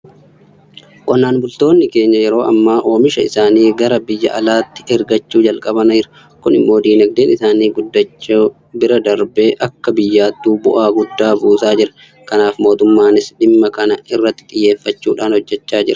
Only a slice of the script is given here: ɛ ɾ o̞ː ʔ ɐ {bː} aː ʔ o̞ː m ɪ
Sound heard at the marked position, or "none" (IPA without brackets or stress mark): mː